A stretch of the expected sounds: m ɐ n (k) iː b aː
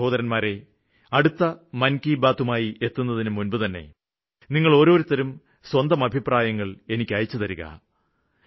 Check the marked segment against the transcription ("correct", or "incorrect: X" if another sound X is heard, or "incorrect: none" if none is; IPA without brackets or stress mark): correct